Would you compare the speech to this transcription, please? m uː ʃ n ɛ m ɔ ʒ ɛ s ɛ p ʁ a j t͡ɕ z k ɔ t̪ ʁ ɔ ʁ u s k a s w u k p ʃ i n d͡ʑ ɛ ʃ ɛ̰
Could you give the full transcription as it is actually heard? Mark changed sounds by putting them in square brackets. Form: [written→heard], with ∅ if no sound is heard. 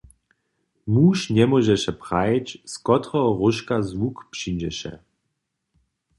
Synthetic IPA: m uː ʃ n ɛ m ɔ ʒ ɛ [s→ʃ] ɛ p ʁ a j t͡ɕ [z→s] k ɔ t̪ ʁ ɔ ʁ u [s→ʃ] k a [s→z] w u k p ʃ i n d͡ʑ ɛ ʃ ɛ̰